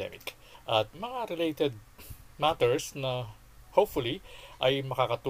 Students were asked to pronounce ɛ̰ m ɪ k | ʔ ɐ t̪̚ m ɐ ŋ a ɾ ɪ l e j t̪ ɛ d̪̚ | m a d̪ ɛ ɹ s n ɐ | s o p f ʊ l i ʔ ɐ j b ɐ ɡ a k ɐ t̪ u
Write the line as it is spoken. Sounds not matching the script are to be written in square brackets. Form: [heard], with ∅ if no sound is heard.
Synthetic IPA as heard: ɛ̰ m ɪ k | ʔ ɐ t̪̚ m ɐ ŋ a ɾ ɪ l e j t̪ ɛ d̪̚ | m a [t̪] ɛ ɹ s n ɐ | [h] o p f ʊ l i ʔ ɐ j [m] ɐ [k] a k ɐ t̪ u